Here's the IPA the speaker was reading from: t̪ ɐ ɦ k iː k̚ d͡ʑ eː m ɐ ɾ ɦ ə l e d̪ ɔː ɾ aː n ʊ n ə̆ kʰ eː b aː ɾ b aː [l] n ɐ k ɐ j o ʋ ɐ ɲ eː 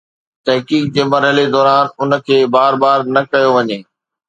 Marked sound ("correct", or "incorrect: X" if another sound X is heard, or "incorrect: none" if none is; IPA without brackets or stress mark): incorrect: ɾ